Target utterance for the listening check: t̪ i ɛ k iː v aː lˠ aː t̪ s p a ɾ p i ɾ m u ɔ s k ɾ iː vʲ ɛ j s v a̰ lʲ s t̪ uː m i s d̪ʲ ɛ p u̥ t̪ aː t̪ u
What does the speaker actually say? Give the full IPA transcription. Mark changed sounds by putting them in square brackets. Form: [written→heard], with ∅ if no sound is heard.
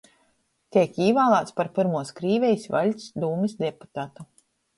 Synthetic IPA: t̪ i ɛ k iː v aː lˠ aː t̪ s p a ɾ p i ɾ m u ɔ s k ɾ iː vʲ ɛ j s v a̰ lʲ s [t̪→d̪] uː m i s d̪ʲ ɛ p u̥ t̪ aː t̪ u